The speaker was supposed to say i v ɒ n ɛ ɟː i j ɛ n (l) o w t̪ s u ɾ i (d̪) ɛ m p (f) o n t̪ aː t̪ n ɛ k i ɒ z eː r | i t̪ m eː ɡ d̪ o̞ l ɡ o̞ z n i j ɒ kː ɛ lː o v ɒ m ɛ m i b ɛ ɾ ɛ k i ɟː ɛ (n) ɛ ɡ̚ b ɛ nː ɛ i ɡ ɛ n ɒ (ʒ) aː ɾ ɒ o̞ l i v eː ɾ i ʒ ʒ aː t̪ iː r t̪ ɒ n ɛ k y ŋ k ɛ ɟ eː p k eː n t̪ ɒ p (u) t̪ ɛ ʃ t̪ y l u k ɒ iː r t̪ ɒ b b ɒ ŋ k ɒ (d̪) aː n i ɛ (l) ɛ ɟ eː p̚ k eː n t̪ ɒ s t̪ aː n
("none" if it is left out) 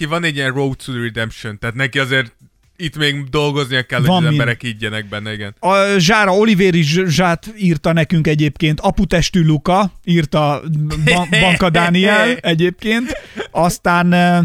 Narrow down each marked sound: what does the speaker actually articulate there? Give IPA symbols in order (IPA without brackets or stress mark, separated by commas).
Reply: r, d̪, ʃ, n, ʒ, u, d̪, l